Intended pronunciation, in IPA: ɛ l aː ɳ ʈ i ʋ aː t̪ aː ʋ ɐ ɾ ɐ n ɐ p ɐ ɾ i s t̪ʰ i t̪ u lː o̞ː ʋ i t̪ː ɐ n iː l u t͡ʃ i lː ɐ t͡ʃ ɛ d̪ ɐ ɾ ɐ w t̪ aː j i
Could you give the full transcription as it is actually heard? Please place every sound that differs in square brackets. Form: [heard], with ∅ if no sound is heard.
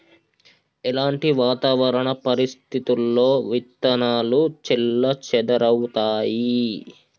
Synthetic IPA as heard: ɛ l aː ɳ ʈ i ʋ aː t̪ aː ʋ ɐ ɾ ɐ [ɳ] ɐ p ɐ ɾ i s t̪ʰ i t̪ u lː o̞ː ʋ i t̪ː ɐ n [aː] l u t͡ʃ i lː ɐ t͡ʃ ɛ d̪ ɐ ɾ ɐ w t̪ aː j i